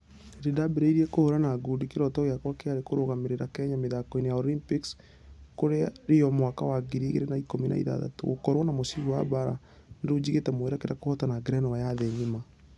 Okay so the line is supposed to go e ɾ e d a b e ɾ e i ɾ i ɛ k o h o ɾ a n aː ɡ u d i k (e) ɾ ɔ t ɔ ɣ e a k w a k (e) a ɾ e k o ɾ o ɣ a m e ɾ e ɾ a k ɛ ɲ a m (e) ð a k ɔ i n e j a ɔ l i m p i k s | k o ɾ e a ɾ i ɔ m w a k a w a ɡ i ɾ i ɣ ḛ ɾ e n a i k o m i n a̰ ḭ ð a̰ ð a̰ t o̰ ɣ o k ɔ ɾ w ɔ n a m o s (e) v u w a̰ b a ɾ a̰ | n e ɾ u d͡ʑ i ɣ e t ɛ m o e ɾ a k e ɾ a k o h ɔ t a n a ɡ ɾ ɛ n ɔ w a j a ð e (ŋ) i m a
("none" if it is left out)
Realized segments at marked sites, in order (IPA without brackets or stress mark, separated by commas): e, e, e, i, ɲ